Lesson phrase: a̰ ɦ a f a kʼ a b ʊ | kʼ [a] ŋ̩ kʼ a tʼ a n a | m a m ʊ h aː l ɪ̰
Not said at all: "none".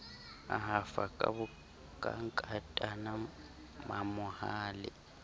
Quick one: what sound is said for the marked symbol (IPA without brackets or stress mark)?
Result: a